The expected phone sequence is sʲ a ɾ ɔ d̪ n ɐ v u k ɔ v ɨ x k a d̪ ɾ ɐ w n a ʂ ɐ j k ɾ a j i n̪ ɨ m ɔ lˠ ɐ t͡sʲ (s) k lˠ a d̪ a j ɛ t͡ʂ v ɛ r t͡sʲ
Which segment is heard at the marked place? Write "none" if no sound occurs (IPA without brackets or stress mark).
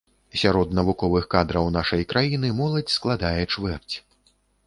s